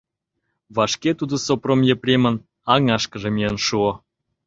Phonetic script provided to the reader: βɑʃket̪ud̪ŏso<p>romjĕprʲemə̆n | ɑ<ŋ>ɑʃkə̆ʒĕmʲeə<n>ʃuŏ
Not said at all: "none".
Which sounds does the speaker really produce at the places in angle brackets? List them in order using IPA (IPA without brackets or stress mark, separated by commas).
p, ŋ, n